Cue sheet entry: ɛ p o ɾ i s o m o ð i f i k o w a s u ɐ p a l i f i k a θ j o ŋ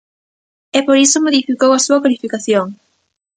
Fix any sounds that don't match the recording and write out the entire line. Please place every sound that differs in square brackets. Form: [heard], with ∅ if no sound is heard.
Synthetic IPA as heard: ɛ p o ɾ i s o m o ð i f i k o w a s u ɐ [k] a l i f i k a θ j o ŋ